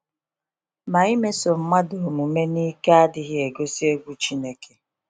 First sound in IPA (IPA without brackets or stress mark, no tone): m